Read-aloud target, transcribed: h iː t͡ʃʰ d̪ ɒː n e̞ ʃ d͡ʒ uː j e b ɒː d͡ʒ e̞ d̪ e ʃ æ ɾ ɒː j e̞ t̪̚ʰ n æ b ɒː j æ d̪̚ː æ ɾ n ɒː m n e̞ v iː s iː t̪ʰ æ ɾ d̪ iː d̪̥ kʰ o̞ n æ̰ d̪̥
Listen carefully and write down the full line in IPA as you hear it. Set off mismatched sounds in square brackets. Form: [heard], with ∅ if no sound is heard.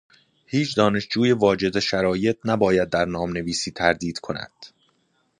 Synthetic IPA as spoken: h iː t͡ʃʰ d̪ ɒː n e̞ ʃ d͡ʒ uː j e [v] ɒː d͡ʒ e̞ d̪ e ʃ æ ɾ ɒː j e̞ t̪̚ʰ n æ b ɒː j æ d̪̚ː æ ɾ n ɒː m n e̞ v iː s iː t̪ʰ æ ɾ d̪ iː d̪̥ kʰ o̞ n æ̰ d̪̥